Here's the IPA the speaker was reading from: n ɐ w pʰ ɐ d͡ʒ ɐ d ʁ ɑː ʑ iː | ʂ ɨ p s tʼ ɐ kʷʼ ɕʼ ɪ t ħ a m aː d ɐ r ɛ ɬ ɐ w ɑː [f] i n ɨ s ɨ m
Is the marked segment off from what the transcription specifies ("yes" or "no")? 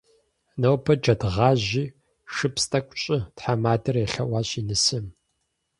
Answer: yes